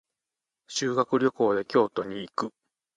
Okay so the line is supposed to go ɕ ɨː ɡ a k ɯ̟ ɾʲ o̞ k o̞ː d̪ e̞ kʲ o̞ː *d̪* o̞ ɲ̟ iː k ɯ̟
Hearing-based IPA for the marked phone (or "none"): t̪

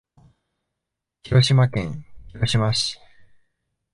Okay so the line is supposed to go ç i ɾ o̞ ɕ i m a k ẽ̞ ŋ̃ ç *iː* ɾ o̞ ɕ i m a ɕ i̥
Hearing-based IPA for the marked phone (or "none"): i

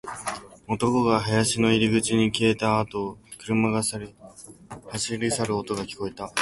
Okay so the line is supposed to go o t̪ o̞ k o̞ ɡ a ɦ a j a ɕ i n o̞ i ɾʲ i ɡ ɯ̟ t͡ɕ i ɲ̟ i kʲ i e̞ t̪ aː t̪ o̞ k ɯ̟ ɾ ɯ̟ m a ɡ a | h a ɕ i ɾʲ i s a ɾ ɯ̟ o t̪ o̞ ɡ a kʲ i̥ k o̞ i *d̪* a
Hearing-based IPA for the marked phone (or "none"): t̪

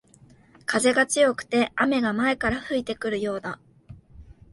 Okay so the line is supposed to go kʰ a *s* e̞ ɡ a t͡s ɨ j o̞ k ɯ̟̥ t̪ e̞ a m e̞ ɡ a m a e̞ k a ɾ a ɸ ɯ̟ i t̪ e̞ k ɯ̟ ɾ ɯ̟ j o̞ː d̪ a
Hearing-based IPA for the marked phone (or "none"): z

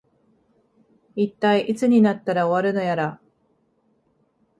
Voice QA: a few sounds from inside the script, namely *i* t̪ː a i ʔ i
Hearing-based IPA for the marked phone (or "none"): i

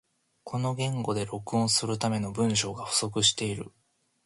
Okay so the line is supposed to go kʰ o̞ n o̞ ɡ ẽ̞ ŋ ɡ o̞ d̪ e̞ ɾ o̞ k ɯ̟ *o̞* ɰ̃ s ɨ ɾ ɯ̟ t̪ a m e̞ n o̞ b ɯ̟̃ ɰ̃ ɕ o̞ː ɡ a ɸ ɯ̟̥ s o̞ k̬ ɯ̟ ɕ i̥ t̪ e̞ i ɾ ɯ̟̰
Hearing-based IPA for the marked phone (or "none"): õ̞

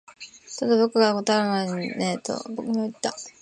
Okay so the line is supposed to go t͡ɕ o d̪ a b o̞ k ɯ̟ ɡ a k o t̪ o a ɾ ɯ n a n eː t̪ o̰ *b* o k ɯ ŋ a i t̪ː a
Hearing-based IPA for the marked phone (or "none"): b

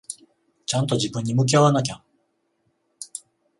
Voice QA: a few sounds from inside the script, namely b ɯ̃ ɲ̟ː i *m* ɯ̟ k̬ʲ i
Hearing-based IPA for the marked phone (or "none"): m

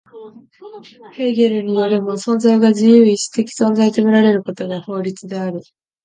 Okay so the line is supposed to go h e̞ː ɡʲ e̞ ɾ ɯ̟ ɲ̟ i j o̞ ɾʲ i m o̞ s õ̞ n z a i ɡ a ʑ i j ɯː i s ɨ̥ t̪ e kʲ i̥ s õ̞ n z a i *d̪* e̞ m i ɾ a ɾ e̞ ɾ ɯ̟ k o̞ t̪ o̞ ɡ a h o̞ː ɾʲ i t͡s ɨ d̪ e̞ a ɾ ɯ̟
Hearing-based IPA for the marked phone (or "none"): t̪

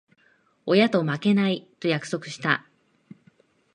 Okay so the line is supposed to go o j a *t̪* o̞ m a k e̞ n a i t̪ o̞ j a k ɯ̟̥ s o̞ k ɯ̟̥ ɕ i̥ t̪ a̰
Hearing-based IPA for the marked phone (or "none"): t̪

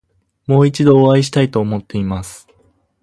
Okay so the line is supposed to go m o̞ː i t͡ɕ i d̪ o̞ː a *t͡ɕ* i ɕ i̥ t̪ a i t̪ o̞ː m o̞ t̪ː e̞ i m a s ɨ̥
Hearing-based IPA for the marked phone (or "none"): none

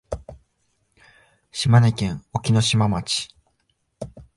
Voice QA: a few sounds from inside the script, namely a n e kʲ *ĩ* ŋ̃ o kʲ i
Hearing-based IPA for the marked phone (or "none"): ẽ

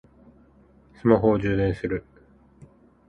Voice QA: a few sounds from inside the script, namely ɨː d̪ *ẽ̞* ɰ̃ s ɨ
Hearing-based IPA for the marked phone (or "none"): ẽ̞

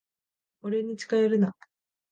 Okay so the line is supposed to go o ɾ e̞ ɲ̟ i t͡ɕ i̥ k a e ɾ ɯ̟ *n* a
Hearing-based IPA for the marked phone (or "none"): n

